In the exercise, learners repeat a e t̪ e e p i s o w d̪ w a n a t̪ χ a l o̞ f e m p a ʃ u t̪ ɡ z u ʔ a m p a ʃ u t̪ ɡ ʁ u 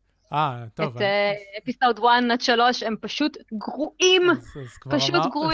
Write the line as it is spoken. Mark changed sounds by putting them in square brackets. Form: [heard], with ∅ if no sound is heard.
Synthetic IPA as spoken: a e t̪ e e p i s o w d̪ w a n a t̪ [ʃ] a l o̞ [ʃ] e m p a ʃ u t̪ ɡ [ʁ] u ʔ [i] m p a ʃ u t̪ ɡ ʁ u